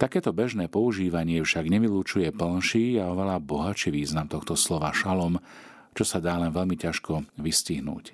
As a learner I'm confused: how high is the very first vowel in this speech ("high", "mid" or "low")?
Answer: low